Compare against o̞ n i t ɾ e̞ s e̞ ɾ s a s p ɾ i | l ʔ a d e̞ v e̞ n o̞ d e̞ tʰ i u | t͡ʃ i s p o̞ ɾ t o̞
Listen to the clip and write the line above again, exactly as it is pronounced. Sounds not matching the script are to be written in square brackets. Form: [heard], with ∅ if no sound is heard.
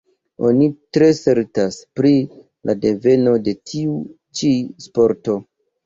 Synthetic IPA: o̞ n i t ɾ e̞ s e̞ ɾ [t] a s p ɾ i | l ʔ a d e̞ v e̞ n o̞ d e̞ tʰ i u | t͡ʃ i s p o̞ ɾ t o̞